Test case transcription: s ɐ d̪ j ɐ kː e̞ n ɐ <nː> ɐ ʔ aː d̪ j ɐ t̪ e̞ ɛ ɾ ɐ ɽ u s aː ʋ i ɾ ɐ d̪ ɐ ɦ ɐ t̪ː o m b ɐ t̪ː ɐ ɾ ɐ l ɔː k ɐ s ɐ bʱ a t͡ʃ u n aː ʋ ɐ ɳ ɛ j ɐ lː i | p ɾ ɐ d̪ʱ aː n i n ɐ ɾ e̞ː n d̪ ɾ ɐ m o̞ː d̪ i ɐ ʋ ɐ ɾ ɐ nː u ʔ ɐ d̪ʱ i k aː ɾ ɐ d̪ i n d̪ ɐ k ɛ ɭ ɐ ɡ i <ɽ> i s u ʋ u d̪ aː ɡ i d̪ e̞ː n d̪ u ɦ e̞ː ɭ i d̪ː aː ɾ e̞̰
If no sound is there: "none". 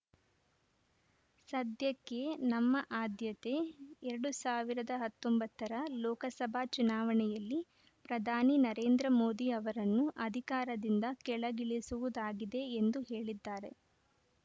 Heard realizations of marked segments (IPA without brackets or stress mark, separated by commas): mː, ɭ